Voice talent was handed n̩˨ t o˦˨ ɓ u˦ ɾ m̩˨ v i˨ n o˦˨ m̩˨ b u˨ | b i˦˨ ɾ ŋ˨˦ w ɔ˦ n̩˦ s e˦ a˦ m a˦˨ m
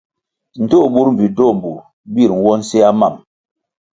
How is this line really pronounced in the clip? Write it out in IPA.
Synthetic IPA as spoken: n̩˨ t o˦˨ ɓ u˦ ɾ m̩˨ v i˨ d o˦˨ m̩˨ b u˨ | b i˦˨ ɾ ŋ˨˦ w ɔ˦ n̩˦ s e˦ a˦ m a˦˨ m